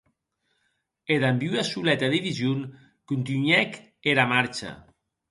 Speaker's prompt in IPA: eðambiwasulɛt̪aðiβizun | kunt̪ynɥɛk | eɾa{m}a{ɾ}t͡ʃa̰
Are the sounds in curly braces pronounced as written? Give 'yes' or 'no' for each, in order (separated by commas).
yes, yes